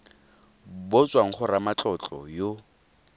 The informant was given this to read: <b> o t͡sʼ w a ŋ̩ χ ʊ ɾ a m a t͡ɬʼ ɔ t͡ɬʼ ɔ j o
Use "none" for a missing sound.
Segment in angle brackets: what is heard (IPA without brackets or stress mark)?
b